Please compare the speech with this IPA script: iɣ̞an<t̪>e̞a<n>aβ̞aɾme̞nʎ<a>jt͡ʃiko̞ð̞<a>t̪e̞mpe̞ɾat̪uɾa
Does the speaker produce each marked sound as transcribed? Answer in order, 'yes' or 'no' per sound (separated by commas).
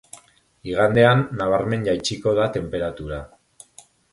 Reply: no, no, yes, yes